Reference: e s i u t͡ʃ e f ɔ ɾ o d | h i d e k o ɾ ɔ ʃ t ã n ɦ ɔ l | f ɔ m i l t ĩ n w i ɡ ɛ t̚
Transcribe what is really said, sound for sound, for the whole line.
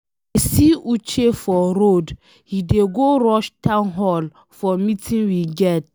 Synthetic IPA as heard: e s i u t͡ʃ e f ɔ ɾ o d | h i d e ɡ o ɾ ɔ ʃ t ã n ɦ ɔ l | f ɔ m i t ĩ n w i ɡ ɛ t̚